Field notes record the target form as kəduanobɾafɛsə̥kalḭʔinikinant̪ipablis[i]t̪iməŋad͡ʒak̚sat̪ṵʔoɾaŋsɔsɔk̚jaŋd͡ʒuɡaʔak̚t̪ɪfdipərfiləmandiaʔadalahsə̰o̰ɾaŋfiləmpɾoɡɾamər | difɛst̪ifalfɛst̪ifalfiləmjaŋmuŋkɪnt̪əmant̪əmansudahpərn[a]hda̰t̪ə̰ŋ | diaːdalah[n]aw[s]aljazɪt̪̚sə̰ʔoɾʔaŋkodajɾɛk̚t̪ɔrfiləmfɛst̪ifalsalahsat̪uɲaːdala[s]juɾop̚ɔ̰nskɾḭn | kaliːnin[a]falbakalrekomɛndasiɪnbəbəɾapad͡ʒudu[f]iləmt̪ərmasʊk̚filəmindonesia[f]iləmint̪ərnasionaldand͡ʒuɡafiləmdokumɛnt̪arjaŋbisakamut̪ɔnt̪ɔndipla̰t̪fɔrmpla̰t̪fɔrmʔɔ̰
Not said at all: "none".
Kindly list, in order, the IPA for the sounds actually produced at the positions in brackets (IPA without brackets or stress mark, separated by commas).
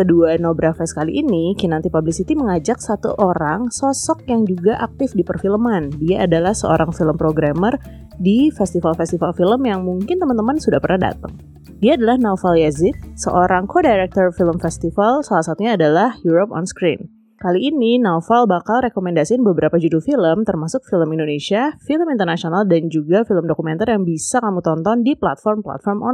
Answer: i, a, n, f, h, a, f, f